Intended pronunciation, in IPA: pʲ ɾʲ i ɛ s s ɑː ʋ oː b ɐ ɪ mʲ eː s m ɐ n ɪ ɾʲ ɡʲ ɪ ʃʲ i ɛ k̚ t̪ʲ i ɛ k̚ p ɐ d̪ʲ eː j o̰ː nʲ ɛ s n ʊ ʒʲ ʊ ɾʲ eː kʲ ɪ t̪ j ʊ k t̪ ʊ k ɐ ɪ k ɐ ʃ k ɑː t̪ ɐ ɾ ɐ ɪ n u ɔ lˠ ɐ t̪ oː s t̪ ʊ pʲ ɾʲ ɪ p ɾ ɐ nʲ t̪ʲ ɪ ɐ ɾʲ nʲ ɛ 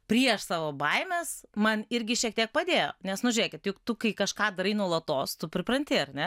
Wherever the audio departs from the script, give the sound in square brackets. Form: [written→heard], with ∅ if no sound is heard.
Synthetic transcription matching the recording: pʲ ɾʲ i ɛ [s→ʃ] s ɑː ʋ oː b ɐ ɪ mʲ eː s m ɐ n ɪ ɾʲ ɡʲ ɪ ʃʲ i ɛ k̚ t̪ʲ i ɛ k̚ p ɐ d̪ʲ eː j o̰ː nʲ ɛ s n ʊ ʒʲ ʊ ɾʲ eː kʲ ɪ t̪ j ʊ k t̪ ʊ k ɐ ɪ k ɐ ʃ k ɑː [t̪→d̪] ɐ ɾ ɐ ɪ n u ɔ lˠ ɐ t̪ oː s t̪ ʊ pʲ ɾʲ ɪ p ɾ ɐ nʲ t̪ʲ ɪ ɐ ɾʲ nʲ ɛ